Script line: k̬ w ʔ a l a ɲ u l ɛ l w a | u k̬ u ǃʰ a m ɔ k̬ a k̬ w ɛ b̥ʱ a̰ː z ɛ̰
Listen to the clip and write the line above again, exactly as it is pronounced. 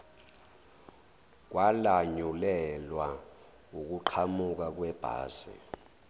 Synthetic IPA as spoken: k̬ w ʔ a l a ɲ u l ɛ l w a | u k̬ u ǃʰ a m u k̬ a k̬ w ɛ b̥ʱ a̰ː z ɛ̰